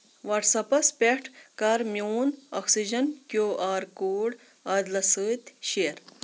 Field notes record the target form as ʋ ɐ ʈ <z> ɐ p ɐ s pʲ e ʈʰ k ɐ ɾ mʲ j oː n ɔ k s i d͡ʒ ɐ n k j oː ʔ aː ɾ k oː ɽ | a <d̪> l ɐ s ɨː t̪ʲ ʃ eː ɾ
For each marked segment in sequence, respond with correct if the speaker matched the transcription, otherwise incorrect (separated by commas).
incorrect, correct